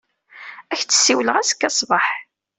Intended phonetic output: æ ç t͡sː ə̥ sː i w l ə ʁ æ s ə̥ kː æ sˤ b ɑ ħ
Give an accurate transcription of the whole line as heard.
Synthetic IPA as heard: æ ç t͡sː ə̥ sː i w l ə ʁ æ s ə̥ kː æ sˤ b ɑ ħ